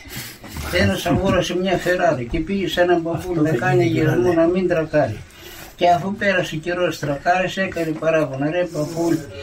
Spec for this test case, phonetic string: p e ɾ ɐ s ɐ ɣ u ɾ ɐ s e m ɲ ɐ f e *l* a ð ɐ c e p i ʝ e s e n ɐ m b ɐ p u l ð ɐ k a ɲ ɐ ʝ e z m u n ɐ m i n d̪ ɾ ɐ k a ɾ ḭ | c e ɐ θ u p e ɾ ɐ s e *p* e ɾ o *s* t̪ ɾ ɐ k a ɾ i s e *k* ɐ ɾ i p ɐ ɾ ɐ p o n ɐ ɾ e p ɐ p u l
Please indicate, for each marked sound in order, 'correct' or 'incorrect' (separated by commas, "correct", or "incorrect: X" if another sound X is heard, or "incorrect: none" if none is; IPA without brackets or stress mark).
incorrect: ɾ, incorrect: c, correct, correct